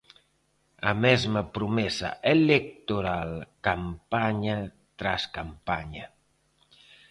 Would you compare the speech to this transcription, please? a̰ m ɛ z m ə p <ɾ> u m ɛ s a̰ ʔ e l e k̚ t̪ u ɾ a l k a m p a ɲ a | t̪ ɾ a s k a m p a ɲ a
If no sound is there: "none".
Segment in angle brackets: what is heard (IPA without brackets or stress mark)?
ɾ